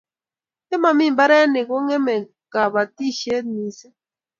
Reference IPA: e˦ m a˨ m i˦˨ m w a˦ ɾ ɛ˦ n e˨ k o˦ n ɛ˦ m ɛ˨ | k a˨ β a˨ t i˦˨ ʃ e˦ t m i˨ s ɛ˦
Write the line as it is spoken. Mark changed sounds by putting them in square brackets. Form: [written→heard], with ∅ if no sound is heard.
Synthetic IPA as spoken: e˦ m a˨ m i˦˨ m [w→b] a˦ ɾ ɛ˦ n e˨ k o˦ [n→ŋ] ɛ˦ m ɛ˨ | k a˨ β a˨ t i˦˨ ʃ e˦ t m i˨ s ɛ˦